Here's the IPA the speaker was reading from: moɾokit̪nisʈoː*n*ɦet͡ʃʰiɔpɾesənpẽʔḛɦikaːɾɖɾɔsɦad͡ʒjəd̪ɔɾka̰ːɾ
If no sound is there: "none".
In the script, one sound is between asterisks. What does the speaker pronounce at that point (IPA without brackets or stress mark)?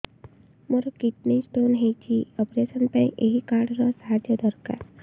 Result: n